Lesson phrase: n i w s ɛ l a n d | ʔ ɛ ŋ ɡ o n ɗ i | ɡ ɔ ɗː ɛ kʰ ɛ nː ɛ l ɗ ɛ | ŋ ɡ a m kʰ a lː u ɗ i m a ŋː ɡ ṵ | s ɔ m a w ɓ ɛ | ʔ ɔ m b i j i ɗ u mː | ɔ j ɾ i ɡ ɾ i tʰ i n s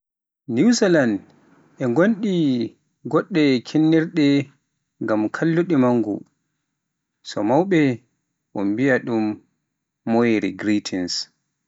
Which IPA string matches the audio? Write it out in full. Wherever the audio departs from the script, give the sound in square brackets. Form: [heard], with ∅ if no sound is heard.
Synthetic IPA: n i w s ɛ l a n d | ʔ ɛ ŋ ɡ o n ɗ i | ɡ ɔ ɗː ɛ kʰ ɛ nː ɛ [ɾ] ɗ ɛ | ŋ ɡ a m kʰ a lː u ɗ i m a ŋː ɡ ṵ | s ɔ m a w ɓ ɛ | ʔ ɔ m b i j [a] ɗ u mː | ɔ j ɾ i ɡ ɾ i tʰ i n s